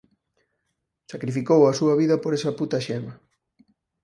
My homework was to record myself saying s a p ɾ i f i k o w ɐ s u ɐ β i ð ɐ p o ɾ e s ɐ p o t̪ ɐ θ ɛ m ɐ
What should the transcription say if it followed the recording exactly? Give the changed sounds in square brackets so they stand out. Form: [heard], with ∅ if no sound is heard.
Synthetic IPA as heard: s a [k] ɾ i f i k o w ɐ s u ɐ β i ð ɐ p o ɾ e s ɐ p [u] t̪ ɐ [ʃ] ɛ m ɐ